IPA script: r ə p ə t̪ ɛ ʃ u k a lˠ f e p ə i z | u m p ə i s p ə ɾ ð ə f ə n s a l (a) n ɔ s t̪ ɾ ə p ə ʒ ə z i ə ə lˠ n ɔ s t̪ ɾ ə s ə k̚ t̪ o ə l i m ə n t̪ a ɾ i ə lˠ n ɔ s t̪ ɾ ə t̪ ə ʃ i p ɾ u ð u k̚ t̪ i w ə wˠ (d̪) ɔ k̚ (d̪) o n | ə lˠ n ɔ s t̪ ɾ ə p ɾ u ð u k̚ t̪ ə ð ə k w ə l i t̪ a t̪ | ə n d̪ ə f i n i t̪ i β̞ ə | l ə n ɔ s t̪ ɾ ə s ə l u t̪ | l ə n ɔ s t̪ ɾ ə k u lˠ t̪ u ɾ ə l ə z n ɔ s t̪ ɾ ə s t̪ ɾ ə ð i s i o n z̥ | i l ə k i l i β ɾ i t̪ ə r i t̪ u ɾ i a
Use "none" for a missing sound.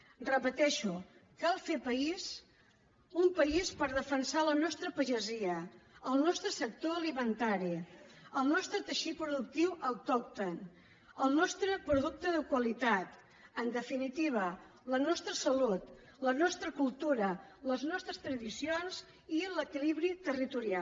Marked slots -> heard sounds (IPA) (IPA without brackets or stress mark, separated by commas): ə, t̪, t̪